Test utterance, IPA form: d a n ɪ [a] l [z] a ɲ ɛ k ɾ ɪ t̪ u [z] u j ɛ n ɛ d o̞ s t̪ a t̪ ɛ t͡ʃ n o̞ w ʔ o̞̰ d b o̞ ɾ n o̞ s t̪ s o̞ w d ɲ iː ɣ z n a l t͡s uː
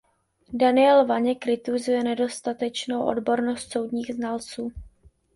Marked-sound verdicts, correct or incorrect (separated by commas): incorrect, incorrect, correct